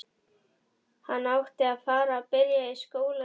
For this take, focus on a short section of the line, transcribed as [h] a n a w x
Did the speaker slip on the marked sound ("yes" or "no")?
no